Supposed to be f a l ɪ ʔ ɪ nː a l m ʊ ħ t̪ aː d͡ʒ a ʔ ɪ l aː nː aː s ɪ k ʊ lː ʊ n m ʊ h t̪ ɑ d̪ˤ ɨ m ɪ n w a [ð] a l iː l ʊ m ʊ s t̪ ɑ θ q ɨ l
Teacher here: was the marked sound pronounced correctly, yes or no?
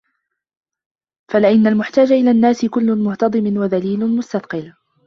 yes